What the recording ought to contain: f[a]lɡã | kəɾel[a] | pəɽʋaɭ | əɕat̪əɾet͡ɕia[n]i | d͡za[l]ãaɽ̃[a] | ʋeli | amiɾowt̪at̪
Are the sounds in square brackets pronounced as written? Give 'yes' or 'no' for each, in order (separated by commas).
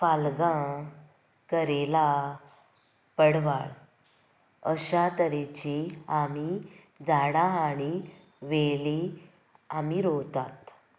yes, yes, no, no, no